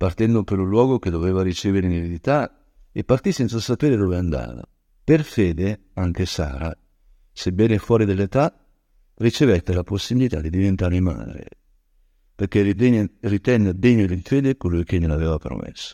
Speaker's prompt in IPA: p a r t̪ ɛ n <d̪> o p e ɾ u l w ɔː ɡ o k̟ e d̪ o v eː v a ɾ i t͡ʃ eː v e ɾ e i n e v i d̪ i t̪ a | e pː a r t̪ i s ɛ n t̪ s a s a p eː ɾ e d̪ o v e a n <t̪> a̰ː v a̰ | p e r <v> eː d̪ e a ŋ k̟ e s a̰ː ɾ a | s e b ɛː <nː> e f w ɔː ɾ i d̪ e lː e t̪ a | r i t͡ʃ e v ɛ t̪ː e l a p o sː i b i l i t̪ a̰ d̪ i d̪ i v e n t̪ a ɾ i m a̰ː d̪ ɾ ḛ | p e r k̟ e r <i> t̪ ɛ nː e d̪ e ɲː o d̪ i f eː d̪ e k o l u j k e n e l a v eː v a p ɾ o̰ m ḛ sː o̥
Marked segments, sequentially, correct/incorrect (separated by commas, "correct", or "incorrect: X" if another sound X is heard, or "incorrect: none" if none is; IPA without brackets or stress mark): correct, incorrect: d̪, incorrect: f, incorrect: n, correct